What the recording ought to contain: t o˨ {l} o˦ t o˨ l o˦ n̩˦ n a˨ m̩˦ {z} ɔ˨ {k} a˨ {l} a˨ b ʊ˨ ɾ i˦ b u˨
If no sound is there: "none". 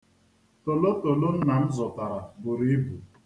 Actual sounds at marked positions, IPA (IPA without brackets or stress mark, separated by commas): l, z, t, ɾ